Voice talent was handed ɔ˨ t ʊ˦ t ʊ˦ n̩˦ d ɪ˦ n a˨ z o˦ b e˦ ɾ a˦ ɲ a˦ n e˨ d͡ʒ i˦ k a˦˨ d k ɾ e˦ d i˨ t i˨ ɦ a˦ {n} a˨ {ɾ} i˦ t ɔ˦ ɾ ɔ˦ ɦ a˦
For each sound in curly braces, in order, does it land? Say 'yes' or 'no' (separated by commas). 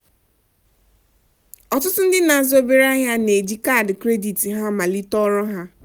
no, no